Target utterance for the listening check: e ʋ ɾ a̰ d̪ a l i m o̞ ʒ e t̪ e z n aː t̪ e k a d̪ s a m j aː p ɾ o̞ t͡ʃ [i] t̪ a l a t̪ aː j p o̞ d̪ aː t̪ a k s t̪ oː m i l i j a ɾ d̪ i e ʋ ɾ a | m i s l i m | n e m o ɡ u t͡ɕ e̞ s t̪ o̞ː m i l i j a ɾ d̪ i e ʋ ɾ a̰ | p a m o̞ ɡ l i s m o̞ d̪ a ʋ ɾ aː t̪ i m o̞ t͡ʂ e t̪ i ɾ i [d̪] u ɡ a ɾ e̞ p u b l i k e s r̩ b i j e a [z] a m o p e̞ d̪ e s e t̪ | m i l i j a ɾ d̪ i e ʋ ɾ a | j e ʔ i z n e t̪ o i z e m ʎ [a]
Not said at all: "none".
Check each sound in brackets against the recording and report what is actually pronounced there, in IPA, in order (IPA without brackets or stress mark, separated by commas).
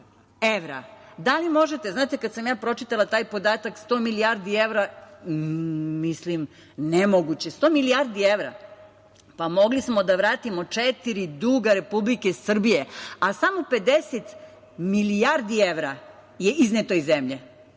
i, d̪, s, e